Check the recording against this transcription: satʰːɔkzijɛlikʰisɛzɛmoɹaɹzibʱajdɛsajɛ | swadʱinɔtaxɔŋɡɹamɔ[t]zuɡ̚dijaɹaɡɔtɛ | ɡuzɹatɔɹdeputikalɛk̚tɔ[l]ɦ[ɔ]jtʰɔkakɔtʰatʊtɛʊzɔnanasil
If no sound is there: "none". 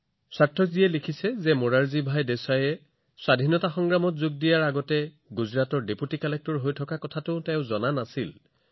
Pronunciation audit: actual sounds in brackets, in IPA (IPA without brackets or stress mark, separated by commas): t, ɹ, o